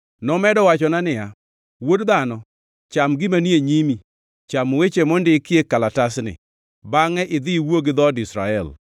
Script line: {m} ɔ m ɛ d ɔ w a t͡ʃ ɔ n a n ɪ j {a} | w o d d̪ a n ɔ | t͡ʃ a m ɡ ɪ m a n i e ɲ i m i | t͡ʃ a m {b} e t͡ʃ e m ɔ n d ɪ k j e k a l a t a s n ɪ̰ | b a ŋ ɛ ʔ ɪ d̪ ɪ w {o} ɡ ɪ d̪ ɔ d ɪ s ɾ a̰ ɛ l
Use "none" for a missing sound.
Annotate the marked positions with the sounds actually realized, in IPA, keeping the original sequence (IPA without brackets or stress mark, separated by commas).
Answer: n, a, w, o